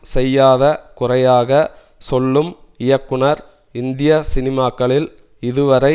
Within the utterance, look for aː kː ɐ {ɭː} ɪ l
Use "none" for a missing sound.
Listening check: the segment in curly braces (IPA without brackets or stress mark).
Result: ɭ